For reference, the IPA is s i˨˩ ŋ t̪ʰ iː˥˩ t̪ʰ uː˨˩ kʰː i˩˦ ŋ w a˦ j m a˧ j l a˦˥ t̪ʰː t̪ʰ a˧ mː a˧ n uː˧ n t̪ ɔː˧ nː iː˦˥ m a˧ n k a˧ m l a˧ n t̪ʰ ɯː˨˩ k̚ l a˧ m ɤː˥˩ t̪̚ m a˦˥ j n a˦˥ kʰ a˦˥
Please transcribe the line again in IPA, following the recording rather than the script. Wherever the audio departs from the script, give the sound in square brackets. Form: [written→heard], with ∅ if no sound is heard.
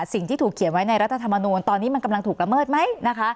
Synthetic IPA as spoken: s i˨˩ ŋ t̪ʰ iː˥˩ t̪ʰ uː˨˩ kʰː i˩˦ [ŋ→n] w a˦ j [m→n] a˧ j [l→ɾ] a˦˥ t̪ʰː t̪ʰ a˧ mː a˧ n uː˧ n t̪ ɔː˧ nː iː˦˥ m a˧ n k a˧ m l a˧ [n→ŋ] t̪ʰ [ɯː˨˩→uː˨˩] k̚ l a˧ m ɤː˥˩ t̪̚ m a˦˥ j n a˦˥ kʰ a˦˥